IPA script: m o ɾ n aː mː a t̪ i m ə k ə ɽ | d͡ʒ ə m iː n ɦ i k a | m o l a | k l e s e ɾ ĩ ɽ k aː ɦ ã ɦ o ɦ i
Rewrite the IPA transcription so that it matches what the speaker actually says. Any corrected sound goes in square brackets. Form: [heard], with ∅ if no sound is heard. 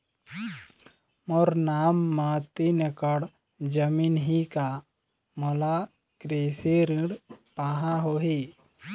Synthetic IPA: m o ɾ n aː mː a t̪ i [n] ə k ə ɽ | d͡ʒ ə m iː n ɦ i k a | m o l a | k [ɾ] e s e ɾ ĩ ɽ [p] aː ɦ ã ɦ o ɦ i

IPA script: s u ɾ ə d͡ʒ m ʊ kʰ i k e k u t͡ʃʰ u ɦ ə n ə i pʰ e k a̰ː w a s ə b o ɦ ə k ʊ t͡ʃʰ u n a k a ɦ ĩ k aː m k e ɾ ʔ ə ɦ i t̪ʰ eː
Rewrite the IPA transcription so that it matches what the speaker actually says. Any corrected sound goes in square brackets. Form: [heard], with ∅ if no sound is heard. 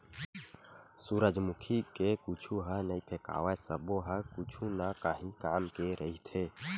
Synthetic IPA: s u ɾ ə d͡ʒ m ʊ kʰ i k e k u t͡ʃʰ u ɦ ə n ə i pʰ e k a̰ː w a s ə b o ɦ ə k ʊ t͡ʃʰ u n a k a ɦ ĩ k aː m k e ɾ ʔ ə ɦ i t̪ʰ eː

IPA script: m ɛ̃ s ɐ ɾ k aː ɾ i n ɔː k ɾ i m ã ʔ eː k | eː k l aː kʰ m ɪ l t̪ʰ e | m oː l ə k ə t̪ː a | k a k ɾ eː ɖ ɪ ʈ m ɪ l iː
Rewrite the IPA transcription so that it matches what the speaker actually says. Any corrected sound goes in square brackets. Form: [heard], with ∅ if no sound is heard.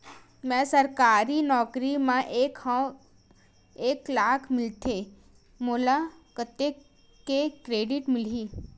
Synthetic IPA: m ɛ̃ s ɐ ɾ k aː ɾ i n ɔː k ɾ i m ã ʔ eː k | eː k l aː kʰ m ɪ l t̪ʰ e | m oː l [a] k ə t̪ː [e] | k [e] k ɾ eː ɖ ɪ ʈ m ɪ l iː

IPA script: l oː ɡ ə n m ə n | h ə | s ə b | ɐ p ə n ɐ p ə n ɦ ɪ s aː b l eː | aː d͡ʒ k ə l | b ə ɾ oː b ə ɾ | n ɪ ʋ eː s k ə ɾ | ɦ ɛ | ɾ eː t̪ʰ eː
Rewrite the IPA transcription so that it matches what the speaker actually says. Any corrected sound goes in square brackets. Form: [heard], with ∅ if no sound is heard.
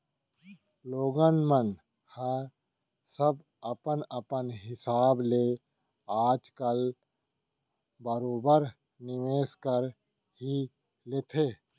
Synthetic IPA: l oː ɡ ə n m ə n | h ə | s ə b | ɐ p ə n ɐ p ə n ɦ ɪ s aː b l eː | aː d͡ʒ k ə l | b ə ɾ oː b ə ɾ | n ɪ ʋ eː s k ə ɾ | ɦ [i] | [l] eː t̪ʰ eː

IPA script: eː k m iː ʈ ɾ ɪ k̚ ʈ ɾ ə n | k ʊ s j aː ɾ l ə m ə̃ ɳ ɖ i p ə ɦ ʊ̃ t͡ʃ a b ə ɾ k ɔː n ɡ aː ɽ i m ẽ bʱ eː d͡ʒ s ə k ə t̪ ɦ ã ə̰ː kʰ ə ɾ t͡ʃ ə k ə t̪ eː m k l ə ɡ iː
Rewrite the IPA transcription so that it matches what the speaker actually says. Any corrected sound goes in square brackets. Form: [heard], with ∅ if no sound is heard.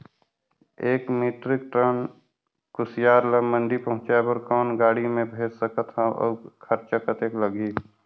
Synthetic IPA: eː k m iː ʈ ɾ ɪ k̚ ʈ ɾ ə n | k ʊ s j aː ɾ l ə m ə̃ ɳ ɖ i p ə ɦ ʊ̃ t͡ʃ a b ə ɾ k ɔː n ɡ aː ɽ i m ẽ bʱ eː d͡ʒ s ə k ə t̪ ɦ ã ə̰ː kʰ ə ɾ t͡ʃ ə k ə t̪ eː [∅] k l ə ɡ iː

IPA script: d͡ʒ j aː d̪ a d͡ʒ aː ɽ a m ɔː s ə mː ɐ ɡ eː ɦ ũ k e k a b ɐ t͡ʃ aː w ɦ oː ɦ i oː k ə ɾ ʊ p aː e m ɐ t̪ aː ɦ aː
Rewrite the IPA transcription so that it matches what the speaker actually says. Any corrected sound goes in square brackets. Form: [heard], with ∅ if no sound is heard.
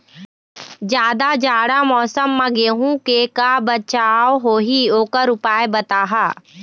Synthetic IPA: d͡ʒ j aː d̪ a d͡ʒ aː ɽ a m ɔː s ə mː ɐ ɡ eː ɦ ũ k e k a b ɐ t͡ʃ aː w ɦ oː ɦ i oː k ə ɾ ʊ p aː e [b] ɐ t̪ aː ɦ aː

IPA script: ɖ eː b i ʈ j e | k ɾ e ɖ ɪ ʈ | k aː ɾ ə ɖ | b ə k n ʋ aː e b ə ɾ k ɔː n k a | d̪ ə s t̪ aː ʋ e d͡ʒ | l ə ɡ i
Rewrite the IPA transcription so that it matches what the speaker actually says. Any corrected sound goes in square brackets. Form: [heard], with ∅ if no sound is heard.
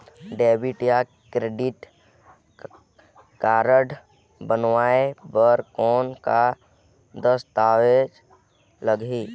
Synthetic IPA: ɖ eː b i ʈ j [a] | k ɾ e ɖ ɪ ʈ | k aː ɾ ə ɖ | b ə [∅] n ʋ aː e b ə ɾ k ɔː n k a | d̪ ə s t̪ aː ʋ e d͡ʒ | l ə ɡ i

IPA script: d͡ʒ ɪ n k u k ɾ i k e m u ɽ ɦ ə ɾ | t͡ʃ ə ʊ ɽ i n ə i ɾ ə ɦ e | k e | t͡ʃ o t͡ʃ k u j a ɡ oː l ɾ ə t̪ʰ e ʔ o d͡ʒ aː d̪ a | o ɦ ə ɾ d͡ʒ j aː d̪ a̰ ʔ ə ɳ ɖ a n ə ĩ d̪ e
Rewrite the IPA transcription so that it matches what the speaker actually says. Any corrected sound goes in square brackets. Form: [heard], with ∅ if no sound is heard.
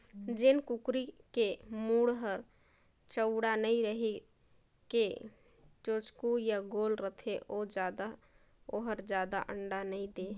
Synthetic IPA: d͡ʒ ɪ n k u k ɾ i k e m u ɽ ɦ ə ɾ | t͡ʃ ə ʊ ɽ [a] n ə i ɾ ə ɦ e | k e | t͡ʃ o t͡ʃ k u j a ɡ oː l ɾ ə t̪ʰ e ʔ o d͡ʒ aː d̪ a | o ɦ ə ɾ d͡ʒ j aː d̪ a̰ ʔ ə ɳ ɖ a n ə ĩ d̪ e

